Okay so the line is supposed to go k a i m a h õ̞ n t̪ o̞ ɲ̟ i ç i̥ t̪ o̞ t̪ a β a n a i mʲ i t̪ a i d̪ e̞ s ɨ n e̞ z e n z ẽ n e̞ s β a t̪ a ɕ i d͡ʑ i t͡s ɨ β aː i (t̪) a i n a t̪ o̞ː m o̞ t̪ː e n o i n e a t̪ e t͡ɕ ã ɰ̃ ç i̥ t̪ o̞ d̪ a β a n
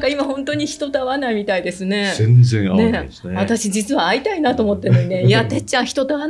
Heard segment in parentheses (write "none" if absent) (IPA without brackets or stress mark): t̪